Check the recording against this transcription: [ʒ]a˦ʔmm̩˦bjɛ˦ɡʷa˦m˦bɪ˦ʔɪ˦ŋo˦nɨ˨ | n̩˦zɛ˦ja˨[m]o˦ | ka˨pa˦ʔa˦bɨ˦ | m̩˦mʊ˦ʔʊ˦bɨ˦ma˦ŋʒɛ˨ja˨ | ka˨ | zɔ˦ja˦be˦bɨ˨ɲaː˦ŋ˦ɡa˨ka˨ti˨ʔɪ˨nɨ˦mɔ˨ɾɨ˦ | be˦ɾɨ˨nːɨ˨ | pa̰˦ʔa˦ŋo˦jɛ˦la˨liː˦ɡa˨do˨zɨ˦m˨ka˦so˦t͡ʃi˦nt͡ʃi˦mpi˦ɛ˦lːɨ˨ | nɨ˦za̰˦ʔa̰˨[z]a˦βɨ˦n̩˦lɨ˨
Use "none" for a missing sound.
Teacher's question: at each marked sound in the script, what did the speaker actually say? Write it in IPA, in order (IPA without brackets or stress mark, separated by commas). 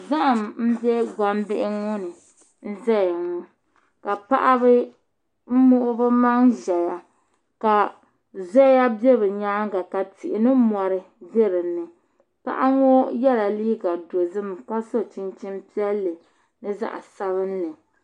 z, ŋ, s